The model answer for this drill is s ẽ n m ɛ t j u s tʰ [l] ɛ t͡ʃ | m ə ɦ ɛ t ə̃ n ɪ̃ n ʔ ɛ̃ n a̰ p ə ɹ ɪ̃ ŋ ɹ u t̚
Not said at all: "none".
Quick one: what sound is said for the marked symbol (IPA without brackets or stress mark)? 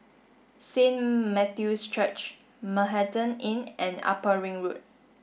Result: ɹ